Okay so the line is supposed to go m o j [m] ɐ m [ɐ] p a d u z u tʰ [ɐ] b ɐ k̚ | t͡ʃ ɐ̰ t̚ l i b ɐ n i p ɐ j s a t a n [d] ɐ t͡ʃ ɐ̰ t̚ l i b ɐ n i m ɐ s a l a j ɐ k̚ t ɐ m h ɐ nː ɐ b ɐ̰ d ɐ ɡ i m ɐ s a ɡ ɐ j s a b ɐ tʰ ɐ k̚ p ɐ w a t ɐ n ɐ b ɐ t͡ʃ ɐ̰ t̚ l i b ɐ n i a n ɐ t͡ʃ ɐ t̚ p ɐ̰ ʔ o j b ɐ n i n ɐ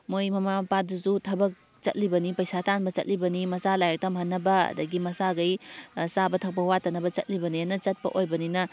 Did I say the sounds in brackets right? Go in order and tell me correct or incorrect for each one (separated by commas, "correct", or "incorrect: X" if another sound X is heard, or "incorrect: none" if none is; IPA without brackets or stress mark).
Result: correct, incorrect: a, correct, incorrect: b